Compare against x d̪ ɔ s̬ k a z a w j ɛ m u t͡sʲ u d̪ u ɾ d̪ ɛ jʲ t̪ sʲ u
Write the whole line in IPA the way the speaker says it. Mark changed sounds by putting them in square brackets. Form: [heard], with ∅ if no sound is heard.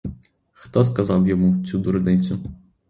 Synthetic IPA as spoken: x [t̪] ɔ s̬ k a z a w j ɛ m u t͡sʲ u d̪ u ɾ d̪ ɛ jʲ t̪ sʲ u